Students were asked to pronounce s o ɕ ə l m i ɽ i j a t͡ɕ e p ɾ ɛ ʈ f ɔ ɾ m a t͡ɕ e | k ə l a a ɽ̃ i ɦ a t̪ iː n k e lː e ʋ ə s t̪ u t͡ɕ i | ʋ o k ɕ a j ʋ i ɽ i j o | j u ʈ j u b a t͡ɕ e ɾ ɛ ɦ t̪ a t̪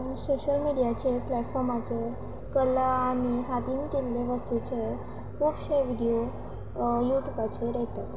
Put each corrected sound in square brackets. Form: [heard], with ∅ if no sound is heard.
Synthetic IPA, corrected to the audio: s o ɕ ə l m i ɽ i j a t͡ɕ e p [l] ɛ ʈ f ɔ ɾ m a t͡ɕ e | k ə l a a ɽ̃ i ɦ a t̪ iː n k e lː e ʋ ə s t̪ u t͡ɕ [e] | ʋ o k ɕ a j ʋ i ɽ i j o | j u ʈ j u b a t͡ɕ e ɾ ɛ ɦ t̪ a t̪